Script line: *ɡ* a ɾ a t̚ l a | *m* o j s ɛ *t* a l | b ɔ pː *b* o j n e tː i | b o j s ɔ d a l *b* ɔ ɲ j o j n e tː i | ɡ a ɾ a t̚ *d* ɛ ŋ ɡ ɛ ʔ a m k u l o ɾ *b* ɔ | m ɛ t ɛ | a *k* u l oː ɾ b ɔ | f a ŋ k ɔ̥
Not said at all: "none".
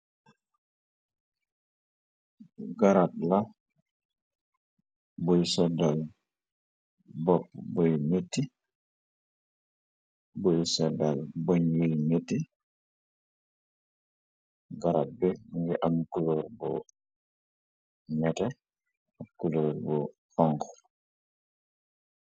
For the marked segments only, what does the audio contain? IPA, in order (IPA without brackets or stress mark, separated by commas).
ɡ, b, d, b, b, b, b, k